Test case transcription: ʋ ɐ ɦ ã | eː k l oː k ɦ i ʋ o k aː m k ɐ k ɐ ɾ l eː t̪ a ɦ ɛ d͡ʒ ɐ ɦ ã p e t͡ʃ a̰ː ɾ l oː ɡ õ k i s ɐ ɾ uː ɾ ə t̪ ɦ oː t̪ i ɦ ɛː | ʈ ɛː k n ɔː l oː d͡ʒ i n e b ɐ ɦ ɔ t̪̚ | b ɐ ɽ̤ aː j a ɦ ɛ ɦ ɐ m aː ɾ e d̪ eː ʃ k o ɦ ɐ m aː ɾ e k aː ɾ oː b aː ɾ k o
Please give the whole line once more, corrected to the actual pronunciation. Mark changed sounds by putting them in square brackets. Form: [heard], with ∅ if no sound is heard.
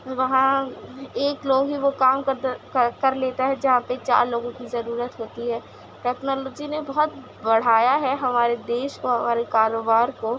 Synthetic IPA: ʋ ɐ ɦ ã | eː k l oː [ɡ] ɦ i ʋ o k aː m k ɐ k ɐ ɾ l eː t̪ a ɦ ɛ d͡ʒ ɐ ɦ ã p e t͡ʃ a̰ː ɾ l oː ɡ õ k i [z] ɐ ɾ uː ɾ ə t̪ ɦ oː t̪ i ɦ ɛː | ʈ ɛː k n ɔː l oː d͡ʒ i n e b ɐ ɦ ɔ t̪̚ | b ɐ ɽ̤ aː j a ɦ ɛ ɦ ɐ m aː ɾ e d̪ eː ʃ k o ɦ ɐ m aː ɾ e k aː ɾ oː b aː ɾ k o